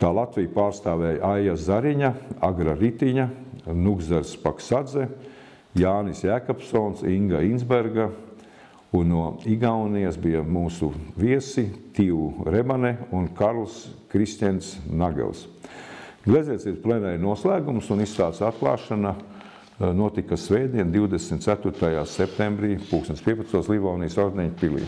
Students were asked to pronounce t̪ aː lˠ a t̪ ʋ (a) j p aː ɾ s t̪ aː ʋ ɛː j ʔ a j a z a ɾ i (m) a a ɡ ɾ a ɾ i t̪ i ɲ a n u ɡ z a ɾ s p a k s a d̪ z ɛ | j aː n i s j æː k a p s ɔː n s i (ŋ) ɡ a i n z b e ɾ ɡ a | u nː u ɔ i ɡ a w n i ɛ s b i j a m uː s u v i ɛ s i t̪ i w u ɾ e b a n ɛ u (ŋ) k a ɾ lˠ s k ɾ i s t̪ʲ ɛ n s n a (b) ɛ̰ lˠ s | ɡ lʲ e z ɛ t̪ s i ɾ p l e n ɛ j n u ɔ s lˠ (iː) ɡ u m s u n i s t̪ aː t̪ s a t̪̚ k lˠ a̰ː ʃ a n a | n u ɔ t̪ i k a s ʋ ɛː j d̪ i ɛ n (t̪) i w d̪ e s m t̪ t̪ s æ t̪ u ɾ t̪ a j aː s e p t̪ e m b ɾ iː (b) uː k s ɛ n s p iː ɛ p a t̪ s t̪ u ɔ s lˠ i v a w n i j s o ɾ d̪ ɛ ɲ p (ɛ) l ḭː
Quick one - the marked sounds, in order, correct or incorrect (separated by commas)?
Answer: incorrect, incorrect, correct, incorrect, incorrect, incorrect, incorrect, incorrect, incorrect